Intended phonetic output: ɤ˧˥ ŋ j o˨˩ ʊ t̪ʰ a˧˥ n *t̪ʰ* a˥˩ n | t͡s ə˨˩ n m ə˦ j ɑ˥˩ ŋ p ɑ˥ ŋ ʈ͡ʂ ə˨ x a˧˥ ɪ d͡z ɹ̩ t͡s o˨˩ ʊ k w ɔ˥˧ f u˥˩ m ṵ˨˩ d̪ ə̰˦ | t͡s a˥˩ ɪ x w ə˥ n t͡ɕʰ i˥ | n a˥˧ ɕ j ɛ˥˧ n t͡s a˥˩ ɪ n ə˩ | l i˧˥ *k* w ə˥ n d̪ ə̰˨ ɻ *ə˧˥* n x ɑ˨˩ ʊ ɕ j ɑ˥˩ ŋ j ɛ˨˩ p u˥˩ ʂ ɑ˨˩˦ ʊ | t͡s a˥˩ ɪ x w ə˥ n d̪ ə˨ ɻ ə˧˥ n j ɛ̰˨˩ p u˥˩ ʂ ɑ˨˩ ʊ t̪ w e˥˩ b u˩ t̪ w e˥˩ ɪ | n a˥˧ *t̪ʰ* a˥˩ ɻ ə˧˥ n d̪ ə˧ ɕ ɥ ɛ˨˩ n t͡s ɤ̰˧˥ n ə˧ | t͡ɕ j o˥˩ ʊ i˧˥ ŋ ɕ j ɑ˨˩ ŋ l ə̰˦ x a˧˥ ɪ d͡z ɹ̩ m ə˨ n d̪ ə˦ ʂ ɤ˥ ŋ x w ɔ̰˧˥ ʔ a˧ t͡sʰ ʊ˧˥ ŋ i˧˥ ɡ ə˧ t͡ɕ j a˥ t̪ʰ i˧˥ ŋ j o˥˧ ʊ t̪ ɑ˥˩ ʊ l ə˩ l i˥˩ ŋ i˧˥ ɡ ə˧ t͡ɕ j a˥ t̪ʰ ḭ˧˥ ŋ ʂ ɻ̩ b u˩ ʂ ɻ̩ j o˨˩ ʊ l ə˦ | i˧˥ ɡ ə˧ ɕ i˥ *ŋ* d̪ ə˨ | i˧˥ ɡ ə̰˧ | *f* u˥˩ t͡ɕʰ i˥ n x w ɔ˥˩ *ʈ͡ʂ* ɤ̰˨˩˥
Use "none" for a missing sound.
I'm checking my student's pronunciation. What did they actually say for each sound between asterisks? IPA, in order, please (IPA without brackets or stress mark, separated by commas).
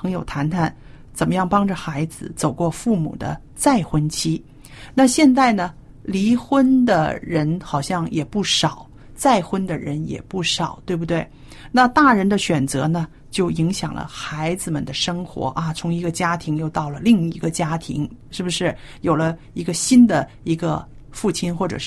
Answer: t̪ʰ, x, ə˧˥, t̪, n, f, ʈ͡ʂ